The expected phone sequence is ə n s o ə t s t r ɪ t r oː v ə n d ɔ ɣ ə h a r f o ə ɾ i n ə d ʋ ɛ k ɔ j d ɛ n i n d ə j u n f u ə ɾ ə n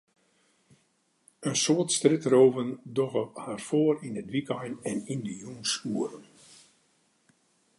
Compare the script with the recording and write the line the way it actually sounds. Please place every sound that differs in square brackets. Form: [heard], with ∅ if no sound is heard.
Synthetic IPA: ə n s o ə t s t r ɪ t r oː v ə n d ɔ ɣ ə h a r f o ə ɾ i n ə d ʋ [i] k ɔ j [n] ɛ n i n d ə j u n [s] u ə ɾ ə n